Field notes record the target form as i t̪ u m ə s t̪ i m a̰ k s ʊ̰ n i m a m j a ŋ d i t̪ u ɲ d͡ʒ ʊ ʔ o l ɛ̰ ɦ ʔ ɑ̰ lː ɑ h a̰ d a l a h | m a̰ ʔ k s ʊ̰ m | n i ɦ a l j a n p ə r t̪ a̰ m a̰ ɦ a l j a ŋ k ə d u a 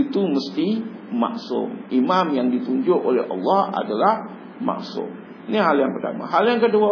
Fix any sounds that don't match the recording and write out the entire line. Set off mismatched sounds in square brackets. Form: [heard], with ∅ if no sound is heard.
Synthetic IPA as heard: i t̪ u m ə s t̪ i m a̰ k s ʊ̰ [m] i m a m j a ŋ d i t̪ u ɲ d͡ʒ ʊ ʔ o l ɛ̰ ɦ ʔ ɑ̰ lː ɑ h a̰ d a l a h | m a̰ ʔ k s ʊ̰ m | n i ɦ a l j a [ŋ] p ə r t̪ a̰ m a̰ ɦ a l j a ŋ k ə d u a